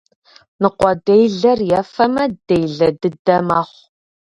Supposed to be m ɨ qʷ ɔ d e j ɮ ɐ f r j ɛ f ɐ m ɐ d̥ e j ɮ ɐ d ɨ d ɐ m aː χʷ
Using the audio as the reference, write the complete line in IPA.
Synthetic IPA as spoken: n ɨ qʷ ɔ d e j ɮ ɐ r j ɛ f ɐ m ɐ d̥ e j ɮ ɐ d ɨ d ɐ m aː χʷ